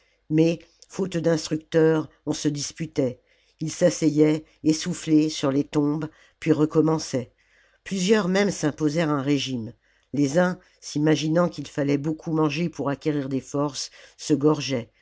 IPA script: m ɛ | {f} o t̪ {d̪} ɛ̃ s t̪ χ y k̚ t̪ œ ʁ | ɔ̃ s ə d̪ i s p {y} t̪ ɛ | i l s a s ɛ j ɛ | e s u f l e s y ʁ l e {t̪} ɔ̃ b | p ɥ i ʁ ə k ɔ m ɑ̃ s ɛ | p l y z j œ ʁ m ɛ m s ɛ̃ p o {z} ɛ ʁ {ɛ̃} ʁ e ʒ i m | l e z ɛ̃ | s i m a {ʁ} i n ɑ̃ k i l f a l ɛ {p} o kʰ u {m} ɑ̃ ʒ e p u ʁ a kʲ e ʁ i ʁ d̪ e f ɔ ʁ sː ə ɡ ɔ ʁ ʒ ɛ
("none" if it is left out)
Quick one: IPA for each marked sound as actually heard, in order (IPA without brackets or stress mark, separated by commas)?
f, d̪, y, t̪, z, ɛ̃, ʒ, b, m